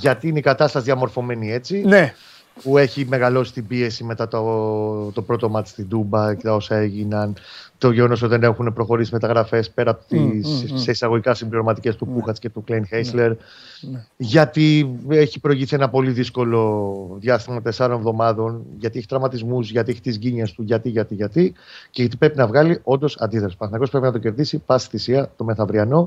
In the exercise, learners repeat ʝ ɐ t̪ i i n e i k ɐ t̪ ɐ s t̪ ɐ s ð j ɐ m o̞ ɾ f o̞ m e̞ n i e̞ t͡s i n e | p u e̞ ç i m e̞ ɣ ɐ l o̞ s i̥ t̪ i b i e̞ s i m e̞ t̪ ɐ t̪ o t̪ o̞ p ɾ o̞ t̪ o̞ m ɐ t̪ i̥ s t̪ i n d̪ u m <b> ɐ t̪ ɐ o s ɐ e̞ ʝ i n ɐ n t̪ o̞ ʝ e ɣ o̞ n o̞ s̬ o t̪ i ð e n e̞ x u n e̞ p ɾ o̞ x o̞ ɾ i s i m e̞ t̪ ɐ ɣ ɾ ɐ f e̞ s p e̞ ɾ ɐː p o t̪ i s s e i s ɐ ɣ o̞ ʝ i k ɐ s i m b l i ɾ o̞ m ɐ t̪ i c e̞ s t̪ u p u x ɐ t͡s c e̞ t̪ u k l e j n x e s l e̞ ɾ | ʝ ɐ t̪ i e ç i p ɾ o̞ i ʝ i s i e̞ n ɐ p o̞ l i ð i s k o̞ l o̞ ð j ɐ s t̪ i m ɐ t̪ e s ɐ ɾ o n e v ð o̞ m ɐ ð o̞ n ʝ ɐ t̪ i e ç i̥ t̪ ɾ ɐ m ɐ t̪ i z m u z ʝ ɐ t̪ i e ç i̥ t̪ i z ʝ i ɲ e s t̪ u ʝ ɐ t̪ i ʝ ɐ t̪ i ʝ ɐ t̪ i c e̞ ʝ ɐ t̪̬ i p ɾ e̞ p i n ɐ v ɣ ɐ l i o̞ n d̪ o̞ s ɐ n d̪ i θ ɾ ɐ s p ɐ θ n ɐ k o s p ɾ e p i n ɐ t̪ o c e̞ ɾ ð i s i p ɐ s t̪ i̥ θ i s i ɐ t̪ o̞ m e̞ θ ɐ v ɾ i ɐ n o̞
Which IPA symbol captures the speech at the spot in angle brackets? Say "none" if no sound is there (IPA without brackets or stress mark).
b